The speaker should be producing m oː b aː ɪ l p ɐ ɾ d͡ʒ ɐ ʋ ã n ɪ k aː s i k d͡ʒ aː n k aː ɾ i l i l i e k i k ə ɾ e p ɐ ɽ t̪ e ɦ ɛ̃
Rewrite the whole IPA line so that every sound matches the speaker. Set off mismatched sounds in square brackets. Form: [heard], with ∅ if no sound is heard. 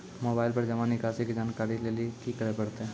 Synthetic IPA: m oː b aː ɪ l p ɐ ɾ d͡ʒ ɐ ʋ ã n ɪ k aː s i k d͡ʒ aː n k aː ɾ i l [e] l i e k i k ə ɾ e p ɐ ɽ t̪ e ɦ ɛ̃